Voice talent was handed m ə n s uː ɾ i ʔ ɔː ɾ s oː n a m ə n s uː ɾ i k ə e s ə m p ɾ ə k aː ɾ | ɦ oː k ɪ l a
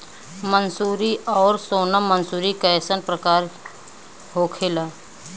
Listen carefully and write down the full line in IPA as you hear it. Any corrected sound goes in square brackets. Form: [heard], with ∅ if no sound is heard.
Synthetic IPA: m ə n s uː ɾ i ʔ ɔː ɾ s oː n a m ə n s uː ɾ i k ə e s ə [n] p ɾ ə k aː ɾ | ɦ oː [kʰ] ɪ l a